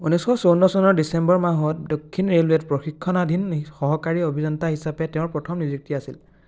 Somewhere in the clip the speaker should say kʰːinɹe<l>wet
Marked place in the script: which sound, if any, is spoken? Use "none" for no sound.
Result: l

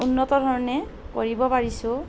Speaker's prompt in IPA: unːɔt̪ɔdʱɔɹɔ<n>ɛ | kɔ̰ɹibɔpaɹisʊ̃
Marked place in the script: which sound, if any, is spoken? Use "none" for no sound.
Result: n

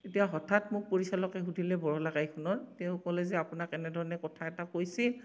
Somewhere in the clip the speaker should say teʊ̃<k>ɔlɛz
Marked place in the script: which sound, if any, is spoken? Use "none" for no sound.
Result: k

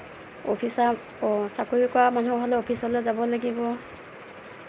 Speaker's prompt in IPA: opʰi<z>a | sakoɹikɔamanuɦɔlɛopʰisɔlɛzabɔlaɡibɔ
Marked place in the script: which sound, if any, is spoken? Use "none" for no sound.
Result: s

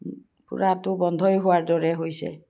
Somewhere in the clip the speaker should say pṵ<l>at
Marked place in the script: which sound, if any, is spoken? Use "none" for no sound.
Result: ɹ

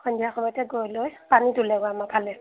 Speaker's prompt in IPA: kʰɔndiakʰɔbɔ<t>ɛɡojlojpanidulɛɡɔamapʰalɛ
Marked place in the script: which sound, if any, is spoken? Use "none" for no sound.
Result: t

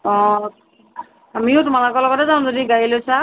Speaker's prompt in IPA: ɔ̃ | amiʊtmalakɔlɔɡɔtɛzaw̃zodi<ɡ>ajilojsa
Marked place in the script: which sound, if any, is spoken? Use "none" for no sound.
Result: ɡ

